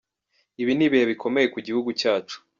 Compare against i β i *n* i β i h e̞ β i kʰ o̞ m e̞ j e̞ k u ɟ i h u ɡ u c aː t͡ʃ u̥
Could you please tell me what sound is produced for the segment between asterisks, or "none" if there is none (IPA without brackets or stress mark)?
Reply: n